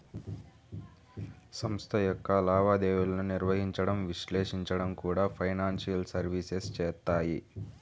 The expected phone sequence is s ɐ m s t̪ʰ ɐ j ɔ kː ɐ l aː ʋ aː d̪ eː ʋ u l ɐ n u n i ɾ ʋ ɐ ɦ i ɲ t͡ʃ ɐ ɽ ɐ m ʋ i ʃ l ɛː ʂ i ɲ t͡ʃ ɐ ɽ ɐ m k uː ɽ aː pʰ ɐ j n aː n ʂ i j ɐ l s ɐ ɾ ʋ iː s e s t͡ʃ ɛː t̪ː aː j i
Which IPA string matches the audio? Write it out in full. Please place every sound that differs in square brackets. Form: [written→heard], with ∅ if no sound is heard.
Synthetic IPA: s ɐ m s t̪ʰ ɐ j ɔ kː ɐ l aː ʋ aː d̪ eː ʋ u l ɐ n u n i ɾ ʋ ɐ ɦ i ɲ t͡ʃ ɐ ɽ ɐ m ʋ i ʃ l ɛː ʂ i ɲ t͡ʃ ɐ ɽ ɐ m k uː ɽ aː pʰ ɐ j n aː n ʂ i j ɐ l s ɐ ɾ ʋ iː s e s t͡ʃ ɛː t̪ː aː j i